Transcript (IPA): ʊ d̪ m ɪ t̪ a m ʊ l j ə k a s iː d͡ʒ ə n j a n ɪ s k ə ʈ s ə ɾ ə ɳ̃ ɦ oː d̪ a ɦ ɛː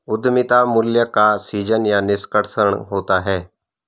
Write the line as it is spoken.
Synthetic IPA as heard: ʊ d̪ m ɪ t̪ a m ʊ l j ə k a s iː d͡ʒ ə n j a n ɪ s k ə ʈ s ə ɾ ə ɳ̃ ɦ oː t̪ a ɦ ɛː